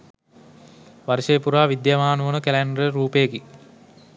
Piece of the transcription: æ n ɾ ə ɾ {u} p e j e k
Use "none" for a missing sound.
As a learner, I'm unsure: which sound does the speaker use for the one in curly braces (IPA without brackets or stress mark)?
uː